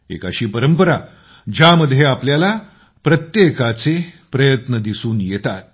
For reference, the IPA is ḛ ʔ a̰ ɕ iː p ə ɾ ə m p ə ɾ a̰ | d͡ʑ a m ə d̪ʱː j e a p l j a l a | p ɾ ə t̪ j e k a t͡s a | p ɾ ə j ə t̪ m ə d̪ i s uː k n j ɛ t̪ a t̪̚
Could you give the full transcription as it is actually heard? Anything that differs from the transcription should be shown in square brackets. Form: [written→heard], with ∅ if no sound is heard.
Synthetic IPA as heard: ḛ [ʔ→k] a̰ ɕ iː p ə ɾ ə m p ə ɾ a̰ | d͡ʑ a m ə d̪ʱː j e a p l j a l a | p ɾ ə t̪ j e k a t͡s [a→e] | p ɾ ə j ə t̪ [m→n] ə d̪ i s uː [k→∅] n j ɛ t̪ a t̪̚